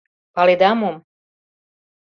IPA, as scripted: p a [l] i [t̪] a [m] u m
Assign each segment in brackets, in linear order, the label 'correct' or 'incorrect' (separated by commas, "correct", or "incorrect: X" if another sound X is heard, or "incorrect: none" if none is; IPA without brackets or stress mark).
correct, incorrect: d̪, correct